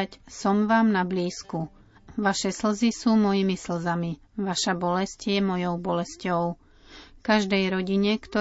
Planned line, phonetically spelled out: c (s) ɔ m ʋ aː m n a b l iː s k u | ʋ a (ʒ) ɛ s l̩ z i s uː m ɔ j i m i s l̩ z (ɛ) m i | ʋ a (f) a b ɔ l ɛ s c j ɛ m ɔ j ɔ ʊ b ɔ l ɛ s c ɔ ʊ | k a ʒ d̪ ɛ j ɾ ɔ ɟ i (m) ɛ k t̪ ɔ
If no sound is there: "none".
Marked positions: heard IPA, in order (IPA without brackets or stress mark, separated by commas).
s, ʃ, a, ʃ, ɲ